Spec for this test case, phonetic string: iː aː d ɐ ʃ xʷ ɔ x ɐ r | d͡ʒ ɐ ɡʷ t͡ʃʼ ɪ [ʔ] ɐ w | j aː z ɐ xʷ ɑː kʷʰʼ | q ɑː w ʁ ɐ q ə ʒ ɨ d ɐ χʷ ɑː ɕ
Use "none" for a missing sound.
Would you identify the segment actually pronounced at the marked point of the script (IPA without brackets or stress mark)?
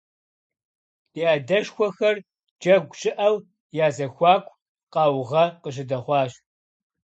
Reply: ʔ